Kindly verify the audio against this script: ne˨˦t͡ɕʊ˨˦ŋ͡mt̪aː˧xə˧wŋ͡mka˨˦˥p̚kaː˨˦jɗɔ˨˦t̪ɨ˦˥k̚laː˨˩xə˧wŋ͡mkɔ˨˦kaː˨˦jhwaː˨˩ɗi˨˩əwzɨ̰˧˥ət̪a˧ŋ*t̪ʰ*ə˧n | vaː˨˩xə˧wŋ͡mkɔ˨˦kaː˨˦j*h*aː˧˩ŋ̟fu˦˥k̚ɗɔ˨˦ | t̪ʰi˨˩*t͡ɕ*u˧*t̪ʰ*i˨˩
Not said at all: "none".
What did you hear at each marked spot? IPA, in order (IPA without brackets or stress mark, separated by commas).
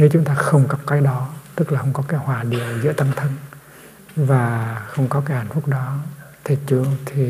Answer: t̪ʰ, h, t͡ɕ, t̪ʰ